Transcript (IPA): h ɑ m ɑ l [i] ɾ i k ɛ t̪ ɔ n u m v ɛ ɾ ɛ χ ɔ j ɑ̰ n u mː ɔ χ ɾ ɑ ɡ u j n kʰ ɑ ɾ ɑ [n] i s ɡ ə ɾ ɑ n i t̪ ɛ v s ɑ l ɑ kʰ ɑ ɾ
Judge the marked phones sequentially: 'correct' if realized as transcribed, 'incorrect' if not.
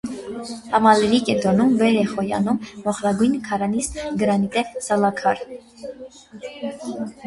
incorrect, correct

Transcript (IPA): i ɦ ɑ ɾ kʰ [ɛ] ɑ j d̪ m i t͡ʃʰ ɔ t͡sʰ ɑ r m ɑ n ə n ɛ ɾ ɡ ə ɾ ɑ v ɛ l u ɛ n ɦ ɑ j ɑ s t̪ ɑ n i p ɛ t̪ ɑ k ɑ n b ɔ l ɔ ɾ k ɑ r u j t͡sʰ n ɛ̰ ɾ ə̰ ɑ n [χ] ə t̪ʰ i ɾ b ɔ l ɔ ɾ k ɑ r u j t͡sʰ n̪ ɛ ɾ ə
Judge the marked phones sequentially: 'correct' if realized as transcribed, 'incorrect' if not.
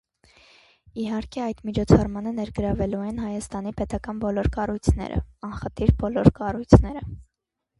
correct, correct

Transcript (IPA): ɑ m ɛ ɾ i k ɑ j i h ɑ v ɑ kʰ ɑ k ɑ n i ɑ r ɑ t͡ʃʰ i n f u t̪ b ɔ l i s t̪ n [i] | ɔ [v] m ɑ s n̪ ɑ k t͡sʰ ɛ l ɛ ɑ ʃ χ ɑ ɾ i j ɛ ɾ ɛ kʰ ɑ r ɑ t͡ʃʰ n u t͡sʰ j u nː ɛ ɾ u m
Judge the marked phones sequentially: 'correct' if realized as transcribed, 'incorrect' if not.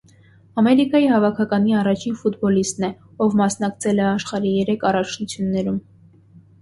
incorrect, correct

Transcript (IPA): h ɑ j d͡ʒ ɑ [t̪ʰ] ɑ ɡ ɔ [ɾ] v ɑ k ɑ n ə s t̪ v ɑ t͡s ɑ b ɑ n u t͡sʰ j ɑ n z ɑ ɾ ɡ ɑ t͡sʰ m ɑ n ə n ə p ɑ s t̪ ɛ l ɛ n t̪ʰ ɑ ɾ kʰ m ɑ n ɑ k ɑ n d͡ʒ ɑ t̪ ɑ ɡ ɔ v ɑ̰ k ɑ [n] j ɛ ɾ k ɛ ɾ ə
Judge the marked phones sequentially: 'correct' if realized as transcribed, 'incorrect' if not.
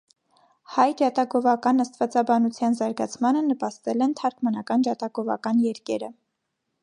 incorrect, incorrect, correct

